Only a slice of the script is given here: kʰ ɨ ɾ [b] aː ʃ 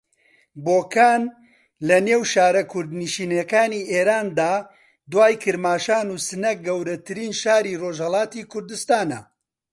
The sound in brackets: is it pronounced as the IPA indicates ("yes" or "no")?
no